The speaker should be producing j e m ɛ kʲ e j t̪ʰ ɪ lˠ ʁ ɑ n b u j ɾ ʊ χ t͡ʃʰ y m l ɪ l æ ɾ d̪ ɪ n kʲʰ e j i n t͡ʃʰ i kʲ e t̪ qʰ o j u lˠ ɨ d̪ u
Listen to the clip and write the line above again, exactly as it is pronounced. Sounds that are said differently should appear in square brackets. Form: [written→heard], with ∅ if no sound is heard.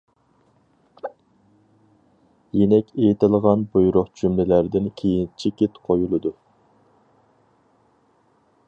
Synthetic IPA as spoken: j e [m→n] ɛ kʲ e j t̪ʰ ɪ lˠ ʁ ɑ n b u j ɾ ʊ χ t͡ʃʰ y m l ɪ l æ ɾ d̪ ɪ n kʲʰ e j i n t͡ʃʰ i kʲ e t̪ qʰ o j u lˠ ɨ d̪ u